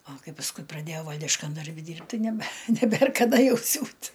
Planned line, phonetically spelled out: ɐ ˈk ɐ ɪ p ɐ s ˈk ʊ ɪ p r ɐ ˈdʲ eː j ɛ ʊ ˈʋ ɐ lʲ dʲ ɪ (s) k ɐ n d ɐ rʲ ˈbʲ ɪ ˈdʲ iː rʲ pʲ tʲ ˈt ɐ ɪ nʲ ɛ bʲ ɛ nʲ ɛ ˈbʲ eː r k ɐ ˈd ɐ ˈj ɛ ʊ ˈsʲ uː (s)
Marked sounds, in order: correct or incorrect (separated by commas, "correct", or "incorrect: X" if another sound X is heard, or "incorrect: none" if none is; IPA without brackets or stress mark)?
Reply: incorrect: ʃ, incorrect: t